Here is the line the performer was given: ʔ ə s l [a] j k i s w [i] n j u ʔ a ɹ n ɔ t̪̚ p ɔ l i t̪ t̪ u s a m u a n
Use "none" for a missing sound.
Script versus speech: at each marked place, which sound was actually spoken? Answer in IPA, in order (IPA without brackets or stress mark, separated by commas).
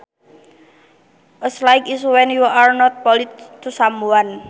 a, ɛ